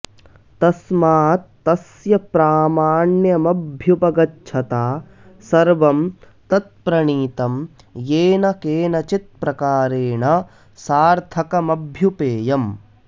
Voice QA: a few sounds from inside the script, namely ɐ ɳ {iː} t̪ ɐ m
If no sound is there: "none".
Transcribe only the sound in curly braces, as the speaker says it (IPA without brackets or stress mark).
iː